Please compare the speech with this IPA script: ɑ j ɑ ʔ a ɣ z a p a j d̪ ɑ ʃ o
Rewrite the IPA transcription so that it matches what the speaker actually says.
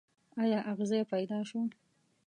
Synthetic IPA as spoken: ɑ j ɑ ʔ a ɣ z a p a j d̪ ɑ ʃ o